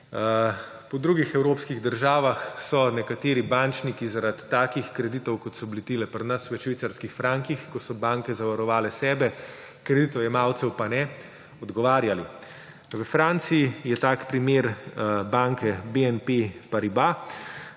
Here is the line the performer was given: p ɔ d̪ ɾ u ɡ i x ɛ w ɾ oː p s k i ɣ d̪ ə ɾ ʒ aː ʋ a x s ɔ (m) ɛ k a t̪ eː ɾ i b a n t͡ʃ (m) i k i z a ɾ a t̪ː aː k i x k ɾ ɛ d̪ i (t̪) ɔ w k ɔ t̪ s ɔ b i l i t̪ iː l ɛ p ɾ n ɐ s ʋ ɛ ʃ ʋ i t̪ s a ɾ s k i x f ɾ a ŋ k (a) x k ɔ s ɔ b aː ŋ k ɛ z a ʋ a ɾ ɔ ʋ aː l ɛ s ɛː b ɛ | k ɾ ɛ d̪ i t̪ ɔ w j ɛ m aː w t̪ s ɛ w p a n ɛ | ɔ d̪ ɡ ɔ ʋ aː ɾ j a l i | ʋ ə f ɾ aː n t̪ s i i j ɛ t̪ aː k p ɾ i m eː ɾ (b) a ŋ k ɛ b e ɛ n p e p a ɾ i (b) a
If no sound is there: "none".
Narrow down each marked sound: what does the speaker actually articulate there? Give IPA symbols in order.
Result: n, n, t̪, i, b, b

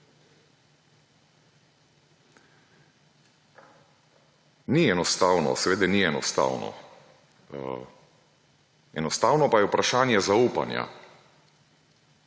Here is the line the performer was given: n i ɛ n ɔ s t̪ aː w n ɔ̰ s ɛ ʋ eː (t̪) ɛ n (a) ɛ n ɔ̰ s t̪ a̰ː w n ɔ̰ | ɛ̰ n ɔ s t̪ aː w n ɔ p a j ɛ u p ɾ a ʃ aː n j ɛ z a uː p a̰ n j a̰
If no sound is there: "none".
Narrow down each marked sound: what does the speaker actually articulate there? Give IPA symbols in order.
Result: d̪, i

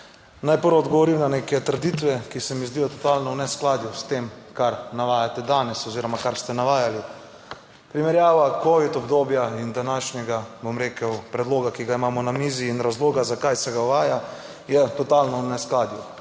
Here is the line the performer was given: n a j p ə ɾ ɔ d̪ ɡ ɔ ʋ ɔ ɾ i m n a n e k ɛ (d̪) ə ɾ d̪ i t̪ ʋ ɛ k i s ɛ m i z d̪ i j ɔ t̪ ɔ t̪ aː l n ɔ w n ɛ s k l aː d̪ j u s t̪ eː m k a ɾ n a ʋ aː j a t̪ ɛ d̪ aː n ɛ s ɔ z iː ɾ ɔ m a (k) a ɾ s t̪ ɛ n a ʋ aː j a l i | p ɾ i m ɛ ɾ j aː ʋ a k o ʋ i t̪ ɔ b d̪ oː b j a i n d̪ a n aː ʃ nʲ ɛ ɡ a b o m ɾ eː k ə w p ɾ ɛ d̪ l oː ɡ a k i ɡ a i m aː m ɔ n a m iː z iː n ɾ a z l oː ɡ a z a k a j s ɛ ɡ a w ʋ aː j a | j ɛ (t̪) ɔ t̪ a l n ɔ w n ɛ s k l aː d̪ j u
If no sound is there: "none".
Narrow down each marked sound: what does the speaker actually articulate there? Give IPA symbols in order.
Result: t̪, k, t̪

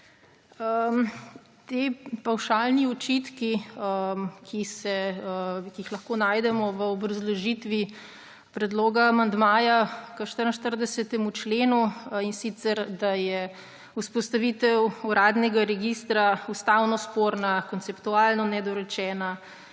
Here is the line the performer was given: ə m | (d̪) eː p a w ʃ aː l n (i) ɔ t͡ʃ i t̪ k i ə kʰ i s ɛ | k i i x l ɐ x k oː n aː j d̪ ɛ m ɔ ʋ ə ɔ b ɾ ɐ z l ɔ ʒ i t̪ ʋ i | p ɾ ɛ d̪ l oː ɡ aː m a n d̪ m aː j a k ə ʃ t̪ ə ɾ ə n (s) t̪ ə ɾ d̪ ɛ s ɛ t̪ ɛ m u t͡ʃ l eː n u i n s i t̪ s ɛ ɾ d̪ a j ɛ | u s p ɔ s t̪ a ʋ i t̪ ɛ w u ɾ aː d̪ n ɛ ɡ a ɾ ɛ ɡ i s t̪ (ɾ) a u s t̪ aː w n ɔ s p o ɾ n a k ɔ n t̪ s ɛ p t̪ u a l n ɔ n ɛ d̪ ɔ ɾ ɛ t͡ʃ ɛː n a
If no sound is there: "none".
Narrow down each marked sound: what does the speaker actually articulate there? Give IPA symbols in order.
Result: t̪, i, ʃ, ɾ

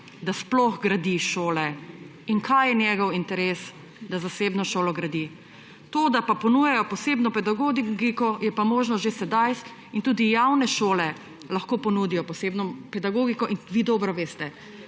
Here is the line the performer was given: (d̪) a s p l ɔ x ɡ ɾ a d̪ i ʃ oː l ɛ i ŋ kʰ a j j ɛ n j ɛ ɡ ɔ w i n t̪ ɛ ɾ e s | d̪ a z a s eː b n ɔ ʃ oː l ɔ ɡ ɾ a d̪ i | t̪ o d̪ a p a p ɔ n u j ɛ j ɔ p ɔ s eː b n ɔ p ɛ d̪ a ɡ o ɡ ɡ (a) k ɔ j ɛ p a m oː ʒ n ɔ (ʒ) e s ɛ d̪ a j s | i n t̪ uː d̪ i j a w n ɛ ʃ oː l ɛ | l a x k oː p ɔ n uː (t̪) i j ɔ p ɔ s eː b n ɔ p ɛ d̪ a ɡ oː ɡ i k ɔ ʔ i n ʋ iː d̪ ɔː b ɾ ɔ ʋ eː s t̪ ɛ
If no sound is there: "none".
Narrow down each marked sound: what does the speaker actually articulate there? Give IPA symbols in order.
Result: d̪, i, ʒ, d̪

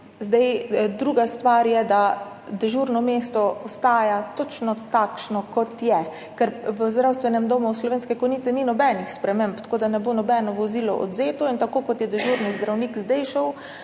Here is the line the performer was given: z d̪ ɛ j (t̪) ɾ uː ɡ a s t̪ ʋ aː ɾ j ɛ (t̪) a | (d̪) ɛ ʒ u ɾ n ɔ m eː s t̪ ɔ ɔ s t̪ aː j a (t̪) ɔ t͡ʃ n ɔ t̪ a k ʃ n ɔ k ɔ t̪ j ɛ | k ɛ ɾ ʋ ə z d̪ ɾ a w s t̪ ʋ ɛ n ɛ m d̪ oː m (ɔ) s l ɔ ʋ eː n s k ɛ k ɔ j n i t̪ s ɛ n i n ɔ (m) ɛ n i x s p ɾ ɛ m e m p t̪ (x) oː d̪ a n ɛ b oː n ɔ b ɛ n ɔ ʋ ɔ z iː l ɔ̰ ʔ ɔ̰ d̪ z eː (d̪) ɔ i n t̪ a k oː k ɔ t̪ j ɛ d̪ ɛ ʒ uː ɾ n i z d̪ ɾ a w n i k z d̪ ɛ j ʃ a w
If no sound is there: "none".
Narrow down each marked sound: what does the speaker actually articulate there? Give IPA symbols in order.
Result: d̪, d̪, d̪, t̪, u, b, k, t̪

